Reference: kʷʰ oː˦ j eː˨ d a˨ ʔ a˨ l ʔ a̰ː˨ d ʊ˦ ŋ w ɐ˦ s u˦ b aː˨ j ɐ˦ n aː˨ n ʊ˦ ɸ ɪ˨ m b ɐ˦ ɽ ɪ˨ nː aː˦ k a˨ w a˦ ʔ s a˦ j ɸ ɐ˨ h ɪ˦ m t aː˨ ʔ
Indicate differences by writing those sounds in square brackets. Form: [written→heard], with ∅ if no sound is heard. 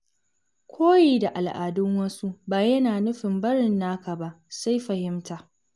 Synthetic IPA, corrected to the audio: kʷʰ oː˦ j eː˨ d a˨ ʔ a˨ l ʔ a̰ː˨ d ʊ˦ ŋ w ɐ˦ s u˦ b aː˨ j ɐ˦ n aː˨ n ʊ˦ ɸ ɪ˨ m b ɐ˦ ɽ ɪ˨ nː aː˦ k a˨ [w→b] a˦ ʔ s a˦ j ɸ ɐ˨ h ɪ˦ m t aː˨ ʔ